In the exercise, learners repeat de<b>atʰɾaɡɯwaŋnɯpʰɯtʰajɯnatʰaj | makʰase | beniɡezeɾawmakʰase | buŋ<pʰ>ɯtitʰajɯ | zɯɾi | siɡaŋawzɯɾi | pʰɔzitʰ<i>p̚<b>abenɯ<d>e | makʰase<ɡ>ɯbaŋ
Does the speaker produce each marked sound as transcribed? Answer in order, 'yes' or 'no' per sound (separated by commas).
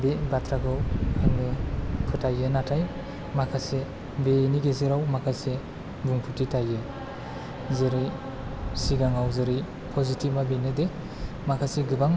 yes, yes, yes, no, yes, yes